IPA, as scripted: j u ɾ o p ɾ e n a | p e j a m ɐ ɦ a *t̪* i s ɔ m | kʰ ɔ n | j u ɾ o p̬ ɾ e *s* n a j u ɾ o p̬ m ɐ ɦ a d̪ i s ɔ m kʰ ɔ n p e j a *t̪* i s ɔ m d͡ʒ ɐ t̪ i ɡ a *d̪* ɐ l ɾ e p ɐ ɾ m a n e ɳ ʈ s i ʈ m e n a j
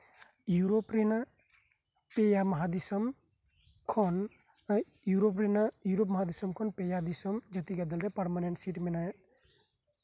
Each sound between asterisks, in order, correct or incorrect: incorrect: d̪, incorrect: none, incorrect: d̪, correct

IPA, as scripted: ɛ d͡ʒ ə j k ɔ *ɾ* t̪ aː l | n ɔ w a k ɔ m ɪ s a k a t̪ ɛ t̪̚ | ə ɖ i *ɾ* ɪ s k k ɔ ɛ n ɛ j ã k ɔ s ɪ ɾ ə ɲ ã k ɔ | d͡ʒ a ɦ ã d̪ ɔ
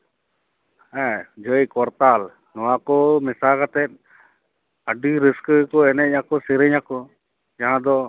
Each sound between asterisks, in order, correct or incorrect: correct, correct

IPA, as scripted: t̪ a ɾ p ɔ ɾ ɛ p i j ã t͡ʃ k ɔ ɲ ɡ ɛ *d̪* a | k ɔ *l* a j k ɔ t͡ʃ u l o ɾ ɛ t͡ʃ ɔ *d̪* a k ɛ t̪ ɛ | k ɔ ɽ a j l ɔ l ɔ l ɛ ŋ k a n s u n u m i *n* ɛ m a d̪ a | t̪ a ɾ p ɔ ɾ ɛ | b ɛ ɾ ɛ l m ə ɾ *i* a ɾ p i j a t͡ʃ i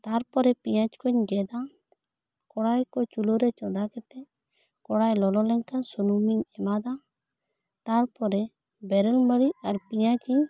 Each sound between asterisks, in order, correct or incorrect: correct, incorrect: ɽ, correct, incorrect: ɲ, correct

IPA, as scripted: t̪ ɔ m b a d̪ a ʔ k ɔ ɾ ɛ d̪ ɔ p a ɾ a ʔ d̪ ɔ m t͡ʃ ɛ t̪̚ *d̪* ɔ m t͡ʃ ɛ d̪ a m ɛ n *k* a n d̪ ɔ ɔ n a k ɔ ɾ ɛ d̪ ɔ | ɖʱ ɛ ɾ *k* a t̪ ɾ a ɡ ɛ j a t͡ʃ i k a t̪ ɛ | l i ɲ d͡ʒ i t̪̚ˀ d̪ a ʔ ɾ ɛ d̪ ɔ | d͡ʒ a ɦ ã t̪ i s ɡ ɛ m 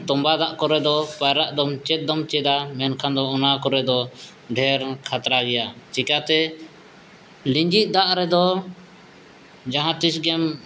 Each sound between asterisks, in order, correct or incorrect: correct, incorrect: kʰ, incorrect: kʰ

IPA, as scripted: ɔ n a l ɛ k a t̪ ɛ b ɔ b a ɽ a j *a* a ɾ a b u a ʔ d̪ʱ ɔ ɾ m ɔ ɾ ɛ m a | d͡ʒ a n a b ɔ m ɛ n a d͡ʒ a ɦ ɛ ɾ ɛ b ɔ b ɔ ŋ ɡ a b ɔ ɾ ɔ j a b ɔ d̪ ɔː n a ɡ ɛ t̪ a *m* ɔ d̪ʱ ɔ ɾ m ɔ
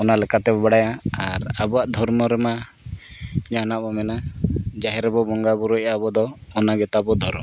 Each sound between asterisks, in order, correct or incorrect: correct, incorrect: b

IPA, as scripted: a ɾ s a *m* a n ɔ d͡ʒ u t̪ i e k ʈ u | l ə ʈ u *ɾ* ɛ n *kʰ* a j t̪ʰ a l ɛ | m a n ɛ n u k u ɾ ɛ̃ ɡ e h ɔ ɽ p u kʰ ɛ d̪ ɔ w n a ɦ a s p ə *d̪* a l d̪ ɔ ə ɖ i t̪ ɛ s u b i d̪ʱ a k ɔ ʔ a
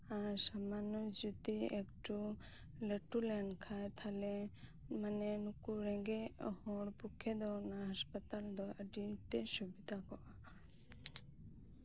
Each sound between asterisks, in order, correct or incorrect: correct, incorrect: l, correct, incorrect: t̪

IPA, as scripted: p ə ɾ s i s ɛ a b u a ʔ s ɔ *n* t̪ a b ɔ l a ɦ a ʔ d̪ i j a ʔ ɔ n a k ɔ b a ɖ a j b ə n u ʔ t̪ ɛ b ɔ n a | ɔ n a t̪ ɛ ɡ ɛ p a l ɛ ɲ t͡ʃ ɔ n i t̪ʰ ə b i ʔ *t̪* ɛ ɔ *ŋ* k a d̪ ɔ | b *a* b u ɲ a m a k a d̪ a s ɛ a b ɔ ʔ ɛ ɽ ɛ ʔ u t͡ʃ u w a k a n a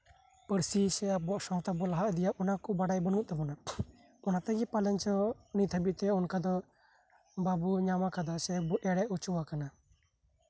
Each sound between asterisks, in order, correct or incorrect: incorrect: ŋ, correct, incorrect: n, correct

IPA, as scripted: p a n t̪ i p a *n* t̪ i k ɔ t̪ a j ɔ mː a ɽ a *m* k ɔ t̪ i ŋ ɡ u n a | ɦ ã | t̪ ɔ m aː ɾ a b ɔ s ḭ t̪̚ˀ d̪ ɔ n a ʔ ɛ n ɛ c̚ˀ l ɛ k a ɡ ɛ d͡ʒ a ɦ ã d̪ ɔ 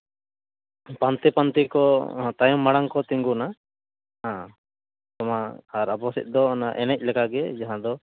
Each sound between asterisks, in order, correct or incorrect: correct, incorrect: ŋ

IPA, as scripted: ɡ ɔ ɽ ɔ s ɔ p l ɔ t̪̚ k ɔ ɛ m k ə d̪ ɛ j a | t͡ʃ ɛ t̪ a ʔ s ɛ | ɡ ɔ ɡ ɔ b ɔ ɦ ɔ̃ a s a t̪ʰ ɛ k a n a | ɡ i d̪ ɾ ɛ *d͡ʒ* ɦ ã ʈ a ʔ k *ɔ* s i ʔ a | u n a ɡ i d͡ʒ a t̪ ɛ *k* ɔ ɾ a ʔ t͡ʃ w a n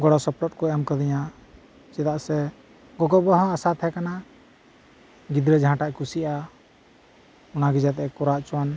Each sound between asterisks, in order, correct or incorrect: correct, incorrect: u, correct

